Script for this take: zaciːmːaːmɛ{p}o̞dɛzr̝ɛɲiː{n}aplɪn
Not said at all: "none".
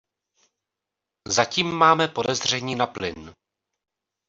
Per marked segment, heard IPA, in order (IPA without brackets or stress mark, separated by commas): p, n